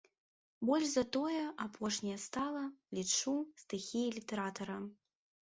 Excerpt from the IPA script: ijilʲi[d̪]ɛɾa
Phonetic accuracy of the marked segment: incorrect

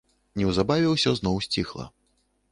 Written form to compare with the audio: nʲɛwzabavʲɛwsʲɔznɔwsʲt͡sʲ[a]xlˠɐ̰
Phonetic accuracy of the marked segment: incorrect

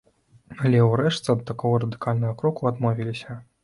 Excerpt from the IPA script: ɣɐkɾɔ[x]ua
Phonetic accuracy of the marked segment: incorrect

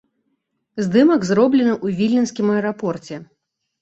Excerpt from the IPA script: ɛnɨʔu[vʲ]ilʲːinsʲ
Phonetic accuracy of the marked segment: correct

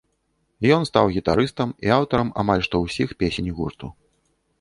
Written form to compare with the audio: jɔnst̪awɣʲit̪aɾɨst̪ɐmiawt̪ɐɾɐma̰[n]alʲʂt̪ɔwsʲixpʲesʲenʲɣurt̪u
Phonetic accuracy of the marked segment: incorrect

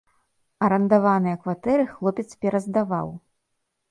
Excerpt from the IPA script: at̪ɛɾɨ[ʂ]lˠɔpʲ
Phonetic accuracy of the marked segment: incorrect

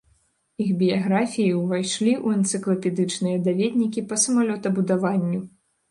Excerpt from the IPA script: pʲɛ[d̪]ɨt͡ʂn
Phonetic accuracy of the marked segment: correct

